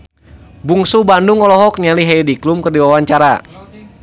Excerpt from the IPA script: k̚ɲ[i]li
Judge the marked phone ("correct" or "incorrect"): incorrect